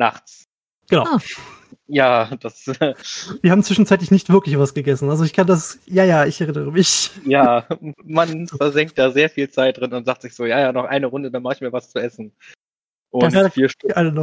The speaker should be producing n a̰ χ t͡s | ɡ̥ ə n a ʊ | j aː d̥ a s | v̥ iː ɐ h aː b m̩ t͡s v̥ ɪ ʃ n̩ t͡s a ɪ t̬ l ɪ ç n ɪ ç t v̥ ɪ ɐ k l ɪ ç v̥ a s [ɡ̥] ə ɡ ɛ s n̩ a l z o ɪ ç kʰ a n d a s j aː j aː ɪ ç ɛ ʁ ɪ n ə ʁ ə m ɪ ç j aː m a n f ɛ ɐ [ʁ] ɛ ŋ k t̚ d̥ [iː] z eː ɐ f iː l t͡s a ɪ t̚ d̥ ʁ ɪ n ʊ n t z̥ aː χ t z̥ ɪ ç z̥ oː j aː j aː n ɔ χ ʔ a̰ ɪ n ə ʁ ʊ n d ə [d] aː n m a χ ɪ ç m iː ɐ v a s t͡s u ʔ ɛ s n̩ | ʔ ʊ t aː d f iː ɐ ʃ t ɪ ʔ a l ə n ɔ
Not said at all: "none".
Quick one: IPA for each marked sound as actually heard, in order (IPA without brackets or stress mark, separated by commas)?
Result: ɡ̥, z, aː, d